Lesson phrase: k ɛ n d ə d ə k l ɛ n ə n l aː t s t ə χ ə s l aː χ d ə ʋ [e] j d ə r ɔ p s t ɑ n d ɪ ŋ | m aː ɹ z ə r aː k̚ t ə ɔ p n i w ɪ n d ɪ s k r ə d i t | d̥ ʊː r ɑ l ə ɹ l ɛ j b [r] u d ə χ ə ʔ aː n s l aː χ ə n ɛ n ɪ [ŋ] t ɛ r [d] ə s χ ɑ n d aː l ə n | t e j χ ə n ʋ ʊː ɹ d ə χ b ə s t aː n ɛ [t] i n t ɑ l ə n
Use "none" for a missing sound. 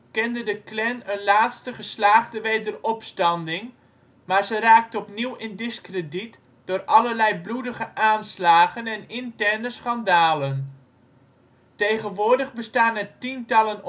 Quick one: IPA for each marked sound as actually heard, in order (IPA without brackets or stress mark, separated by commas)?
e, l, n, n, t